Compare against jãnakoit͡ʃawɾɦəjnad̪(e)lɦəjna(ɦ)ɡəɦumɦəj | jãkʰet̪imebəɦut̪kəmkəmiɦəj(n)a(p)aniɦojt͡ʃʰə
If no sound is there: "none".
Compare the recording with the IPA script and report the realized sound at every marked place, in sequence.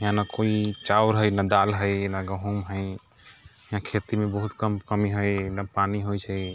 a, none, n, p

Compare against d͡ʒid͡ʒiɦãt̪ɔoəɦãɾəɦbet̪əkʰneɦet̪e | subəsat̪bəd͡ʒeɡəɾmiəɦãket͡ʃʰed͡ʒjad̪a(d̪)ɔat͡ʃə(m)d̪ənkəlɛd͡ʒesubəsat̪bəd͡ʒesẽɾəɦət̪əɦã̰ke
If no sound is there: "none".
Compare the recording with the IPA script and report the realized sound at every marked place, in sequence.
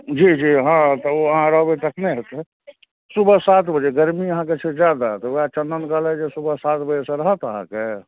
t̪, n

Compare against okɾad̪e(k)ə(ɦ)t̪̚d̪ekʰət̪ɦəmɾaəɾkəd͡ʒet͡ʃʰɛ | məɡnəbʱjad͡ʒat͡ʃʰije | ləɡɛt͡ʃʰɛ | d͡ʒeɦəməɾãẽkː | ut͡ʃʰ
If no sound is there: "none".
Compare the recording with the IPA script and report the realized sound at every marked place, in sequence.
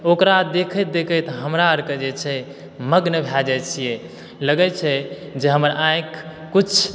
kʰ, none

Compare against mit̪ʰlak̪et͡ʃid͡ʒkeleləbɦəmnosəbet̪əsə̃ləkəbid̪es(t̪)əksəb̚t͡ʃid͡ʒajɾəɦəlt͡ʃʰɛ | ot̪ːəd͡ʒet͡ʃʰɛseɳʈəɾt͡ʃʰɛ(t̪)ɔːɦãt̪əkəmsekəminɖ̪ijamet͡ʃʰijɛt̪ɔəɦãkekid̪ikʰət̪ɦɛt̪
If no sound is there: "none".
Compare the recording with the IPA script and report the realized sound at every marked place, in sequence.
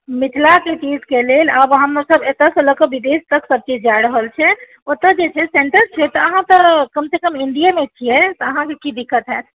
t̪, t̪

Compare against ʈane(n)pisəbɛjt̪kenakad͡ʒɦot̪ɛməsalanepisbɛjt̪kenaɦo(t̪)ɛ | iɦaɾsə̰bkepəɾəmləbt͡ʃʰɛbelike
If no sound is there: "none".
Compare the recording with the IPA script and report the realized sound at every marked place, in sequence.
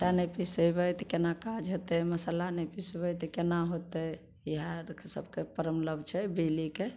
none, t̪

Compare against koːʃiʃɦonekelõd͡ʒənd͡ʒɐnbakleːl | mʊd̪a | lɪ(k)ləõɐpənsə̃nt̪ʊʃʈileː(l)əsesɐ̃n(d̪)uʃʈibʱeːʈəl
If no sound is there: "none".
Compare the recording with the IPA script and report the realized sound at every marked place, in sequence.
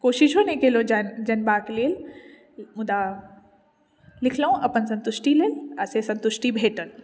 kʰ, l, t̪

